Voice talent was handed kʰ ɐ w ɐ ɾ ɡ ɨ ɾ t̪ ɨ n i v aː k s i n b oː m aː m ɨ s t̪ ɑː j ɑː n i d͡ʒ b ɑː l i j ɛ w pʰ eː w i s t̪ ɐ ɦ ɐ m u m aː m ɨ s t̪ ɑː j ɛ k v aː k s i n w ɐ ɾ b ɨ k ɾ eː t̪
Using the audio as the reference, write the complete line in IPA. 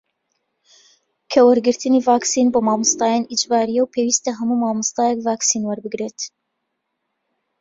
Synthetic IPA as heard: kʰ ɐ w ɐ ɾ ɡ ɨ ɾ t̪ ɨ n i v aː k s i n b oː m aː m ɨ s t̪ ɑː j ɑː n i d͡ʒ b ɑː ɾ i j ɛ w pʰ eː w i s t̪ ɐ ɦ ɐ m u m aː m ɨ s t̪ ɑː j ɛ k v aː k s i n w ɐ ɾ b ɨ ɡ ɾ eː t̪